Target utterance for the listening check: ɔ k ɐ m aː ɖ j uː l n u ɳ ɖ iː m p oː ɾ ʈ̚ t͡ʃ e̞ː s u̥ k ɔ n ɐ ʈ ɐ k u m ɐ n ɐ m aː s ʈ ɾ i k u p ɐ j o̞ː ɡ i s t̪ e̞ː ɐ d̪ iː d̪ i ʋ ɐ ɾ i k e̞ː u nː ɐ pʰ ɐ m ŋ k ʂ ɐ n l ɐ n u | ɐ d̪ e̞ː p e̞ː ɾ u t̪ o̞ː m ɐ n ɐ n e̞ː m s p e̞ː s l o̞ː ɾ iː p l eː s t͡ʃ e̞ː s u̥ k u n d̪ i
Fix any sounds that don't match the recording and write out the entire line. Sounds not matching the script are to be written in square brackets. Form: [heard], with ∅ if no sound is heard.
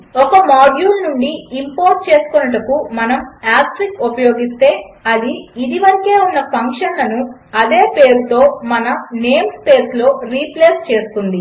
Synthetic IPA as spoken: ɔ k ɐ m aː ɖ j uː l n u ɳ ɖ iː m p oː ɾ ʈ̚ t͡ʃ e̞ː s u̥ k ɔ n ɐ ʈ ɐ k u m ɐ n ɐ m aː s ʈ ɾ i k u p ɐ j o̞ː ɡ i s t̪ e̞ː ɐ d̪ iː d̪ i ʋ ɐ ɾ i k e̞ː u nː ɐ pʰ ɐ [∅] ŋ k ʂ ɐ n l ɐ n u | ɐ d̪ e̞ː p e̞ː ɾ u t̪ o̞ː m ɐ n ɐ n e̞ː m s p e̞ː s l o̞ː ɾ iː p l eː s t͡ʃ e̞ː s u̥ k u n d̪ i